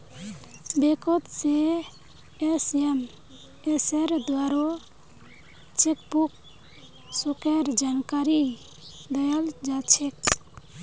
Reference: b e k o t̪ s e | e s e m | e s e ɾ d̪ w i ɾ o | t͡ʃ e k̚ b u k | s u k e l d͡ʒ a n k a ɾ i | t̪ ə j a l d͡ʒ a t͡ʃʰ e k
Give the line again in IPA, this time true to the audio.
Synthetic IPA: b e k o t̪ s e | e s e m | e s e ɾ d̪ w a ɾ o | t͡ʃ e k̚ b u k | s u k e ɾ d͡ʒ a n k a ɾ i | d̪ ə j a l d͡ʒ a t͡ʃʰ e k